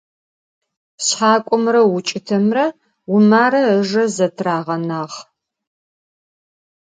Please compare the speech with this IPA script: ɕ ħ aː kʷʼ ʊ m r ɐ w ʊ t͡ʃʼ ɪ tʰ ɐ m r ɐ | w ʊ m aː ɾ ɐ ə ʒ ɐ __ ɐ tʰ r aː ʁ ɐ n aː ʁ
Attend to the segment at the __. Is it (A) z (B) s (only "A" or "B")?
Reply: A